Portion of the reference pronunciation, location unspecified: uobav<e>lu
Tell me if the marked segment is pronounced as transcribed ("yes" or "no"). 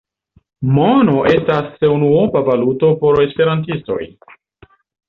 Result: no